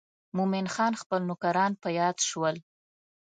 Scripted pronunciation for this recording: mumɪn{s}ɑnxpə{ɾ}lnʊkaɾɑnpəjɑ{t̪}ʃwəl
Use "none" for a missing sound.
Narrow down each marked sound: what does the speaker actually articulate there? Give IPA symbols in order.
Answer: x, none, d̪

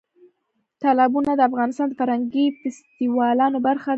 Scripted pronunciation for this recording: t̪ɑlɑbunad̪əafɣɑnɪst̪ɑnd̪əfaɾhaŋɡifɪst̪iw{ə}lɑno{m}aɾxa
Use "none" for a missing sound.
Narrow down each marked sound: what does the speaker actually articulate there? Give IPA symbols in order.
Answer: ɑ, b

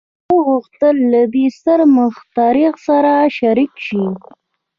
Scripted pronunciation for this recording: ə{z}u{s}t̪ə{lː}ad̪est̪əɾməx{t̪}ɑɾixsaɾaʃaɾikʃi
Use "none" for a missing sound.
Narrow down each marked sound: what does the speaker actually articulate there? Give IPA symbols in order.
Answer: ɣ, x, lː, t̪

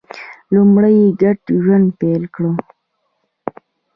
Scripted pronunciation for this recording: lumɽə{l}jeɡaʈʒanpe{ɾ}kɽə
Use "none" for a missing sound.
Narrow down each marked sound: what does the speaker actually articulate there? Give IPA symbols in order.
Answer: none, l

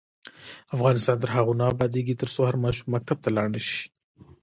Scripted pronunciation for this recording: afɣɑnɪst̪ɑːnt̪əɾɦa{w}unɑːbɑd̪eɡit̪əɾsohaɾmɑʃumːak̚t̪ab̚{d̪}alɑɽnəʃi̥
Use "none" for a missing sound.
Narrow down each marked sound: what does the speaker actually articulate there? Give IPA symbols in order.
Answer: ɣ, t̪

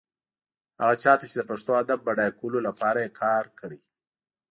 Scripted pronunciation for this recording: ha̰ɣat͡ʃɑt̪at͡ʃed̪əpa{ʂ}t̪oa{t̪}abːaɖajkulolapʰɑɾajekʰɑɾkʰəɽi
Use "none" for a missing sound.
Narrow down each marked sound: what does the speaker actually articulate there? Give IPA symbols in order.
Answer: ʂ, d̪

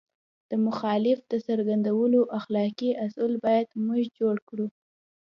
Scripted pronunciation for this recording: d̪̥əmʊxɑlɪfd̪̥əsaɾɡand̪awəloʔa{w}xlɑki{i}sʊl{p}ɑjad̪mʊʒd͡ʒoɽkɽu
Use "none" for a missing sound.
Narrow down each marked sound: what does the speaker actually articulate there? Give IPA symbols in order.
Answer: none, a, b

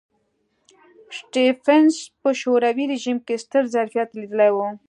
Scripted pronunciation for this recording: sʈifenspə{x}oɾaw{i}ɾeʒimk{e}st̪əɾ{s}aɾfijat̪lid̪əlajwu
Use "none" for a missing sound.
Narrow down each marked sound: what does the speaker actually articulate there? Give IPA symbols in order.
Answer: ʃ, i, e, z

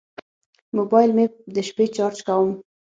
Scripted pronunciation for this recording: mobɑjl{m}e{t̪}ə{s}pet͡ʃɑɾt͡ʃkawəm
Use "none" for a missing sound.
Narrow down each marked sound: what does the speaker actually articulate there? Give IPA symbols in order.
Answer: m, d̪, ʃ

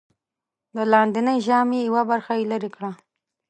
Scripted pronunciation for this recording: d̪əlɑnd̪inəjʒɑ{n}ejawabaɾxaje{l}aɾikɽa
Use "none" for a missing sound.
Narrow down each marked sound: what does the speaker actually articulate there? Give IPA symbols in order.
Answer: m, l

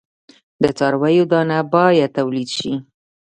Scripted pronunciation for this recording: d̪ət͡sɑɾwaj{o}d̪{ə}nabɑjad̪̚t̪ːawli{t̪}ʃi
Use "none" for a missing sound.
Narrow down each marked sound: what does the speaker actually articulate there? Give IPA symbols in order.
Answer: o, ɑ, d̪

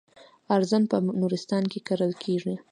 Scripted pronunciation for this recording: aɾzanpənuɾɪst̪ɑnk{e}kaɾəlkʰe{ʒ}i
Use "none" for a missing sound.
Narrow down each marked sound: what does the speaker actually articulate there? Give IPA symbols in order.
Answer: e, ʐ

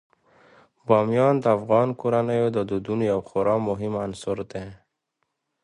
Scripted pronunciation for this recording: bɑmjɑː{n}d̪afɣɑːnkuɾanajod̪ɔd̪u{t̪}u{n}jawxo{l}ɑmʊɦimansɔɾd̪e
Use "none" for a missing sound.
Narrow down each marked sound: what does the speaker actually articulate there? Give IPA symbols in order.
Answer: n, d̪, n, ɾ

